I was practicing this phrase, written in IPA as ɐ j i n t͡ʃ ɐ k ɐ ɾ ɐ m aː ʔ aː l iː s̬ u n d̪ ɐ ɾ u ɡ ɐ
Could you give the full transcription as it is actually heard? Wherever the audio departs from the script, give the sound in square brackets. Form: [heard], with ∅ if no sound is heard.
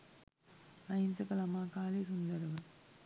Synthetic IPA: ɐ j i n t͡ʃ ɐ k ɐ [l] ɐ m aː [k] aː l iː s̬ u n d̪ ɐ ɾ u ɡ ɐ